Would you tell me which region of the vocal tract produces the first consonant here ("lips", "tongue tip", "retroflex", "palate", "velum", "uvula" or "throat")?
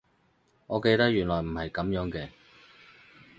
velum